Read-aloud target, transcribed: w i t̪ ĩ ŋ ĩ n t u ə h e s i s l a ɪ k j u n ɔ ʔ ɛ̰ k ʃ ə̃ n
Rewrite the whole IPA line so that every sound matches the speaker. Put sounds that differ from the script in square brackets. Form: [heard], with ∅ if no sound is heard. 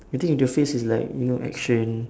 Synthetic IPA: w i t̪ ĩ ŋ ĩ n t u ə [f] e s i s l a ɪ k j u n [o] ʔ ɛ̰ k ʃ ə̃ n